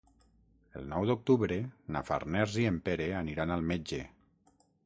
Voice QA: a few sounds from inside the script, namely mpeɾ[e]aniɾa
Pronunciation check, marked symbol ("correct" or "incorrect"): correct